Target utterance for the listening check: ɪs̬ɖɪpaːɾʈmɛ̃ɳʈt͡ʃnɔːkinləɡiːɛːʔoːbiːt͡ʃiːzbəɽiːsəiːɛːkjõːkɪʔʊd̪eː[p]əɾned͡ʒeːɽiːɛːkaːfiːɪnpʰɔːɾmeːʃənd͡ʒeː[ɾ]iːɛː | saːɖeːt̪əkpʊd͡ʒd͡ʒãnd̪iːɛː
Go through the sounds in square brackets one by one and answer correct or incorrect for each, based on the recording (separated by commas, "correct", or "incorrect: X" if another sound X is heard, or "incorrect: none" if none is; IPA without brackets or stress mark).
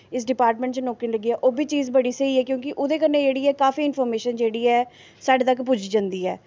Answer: incorrect: k, incorrect: ɽ